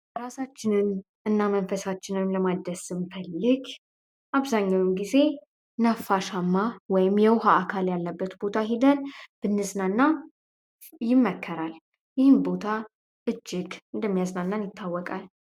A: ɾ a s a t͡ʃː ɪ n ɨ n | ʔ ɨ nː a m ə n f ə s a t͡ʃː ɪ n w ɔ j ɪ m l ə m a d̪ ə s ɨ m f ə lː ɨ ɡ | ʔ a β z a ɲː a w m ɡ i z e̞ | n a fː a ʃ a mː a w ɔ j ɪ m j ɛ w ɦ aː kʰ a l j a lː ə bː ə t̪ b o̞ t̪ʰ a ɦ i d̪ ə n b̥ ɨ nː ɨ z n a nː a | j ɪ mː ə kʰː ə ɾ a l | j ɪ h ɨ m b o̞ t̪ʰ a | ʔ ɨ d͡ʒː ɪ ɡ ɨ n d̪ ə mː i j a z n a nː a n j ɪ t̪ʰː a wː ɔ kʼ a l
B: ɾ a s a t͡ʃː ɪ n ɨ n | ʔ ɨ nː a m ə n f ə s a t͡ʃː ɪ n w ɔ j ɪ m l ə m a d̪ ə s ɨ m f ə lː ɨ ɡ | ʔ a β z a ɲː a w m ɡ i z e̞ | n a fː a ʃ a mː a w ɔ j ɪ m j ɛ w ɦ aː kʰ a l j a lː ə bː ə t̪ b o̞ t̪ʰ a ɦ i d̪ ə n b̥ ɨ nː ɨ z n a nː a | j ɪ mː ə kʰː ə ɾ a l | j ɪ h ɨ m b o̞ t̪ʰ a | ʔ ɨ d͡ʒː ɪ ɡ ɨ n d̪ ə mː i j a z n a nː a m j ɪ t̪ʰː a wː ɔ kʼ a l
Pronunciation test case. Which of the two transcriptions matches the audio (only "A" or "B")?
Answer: A